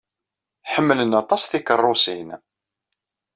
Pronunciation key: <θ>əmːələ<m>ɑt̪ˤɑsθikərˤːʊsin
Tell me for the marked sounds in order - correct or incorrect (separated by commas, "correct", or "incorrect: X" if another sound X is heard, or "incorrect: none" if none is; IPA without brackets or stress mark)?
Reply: incorrect: ħ, incorrect: n